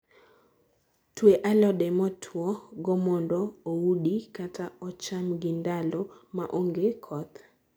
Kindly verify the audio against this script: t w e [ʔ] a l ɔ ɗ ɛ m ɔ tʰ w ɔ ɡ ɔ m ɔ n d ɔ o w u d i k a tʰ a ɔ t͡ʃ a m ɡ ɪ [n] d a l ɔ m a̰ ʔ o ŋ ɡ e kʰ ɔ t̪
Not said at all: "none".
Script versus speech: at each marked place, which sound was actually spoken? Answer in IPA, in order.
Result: ʔ, n

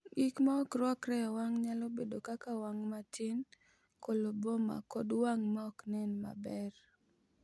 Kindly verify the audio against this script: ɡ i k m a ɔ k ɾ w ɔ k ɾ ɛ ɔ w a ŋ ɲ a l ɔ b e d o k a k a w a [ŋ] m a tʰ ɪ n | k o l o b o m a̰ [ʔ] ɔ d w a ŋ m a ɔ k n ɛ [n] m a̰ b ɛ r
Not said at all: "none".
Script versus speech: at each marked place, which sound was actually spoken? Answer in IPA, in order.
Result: ŋ, k, n

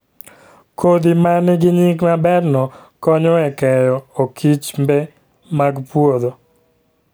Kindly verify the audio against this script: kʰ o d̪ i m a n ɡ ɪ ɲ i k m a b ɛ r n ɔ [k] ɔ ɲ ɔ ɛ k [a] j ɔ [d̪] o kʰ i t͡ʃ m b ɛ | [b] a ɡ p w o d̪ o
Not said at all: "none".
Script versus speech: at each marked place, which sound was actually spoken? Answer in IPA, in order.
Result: k, ɛ, none, m

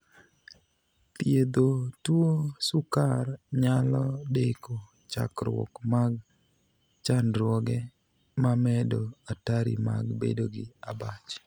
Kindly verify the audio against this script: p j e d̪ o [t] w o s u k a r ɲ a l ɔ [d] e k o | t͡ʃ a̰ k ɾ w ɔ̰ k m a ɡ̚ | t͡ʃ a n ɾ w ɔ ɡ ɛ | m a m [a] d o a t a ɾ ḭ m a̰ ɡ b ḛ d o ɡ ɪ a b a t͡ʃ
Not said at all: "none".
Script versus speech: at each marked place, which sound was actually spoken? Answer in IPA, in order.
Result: t, d, ɛ

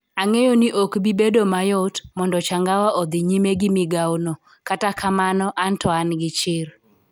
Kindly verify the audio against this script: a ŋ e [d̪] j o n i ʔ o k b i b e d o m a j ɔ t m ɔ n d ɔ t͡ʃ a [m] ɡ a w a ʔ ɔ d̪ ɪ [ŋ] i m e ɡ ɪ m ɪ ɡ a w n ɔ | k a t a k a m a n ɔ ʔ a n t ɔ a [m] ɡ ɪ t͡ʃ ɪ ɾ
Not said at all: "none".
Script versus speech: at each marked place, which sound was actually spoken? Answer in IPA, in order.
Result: none, ŋ, ɲ, n

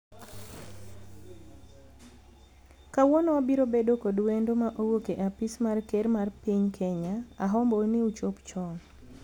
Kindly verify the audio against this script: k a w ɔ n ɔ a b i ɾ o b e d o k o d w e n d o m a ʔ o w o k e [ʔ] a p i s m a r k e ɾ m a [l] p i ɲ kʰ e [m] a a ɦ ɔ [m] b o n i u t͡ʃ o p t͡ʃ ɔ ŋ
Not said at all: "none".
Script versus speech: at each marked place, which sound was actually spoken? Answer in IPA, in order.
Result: ʔ, r, ɲ, m

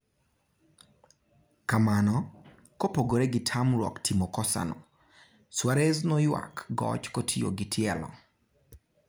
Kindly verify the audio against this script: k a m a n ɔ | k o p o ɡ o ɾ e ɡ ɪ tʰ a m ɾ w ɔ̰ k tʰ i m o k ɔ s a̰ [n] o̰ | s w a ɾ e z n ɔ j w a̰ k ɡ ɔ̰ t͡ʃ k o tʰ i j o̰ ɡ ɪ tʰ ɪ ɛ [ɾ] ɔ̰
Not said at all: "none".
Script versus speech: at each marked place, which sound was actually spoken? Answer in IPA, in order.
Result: n, l

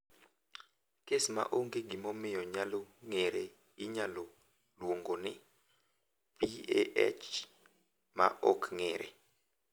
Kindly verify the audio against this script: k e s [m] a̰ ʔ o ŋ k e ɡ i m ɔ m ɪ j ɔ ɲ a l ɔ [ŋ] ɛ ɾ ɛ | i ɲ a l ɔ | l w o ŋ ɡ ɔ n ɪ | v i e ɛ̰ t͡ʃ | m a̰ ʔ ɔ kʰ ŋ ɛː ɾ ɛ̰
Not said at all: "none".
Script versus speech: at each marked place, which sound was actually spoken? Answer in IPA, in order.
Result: m, ŋ

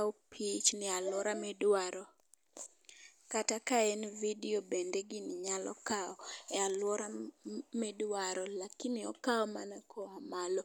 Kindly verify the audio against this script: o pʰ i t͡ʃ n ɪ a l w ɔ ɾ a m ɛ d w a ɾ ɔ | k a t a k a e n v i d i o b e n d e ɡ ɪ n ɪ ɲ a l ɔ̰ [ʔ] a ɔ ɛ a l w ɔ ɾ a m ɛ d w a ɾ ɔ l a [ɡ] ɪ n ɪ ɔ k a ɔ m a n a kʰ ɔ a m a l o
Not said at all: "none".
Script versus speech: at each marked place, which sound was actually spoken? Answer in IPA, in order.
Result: k, k

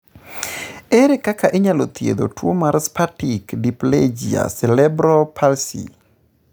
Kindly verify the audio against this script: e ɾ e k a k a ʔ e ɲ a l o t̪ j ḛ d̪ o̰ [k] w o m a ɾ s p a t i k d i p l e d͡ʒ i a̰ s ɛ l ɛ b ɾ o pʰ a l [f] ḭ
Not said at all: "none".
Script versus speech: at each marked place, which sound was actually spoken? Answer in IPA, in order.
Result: t, s

